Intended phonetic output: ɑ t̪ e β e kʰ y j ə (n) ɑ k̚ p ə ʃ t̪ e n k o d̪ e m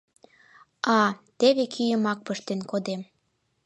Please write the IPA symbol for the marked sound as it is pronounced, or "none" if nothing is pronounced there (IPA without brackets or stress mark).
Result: m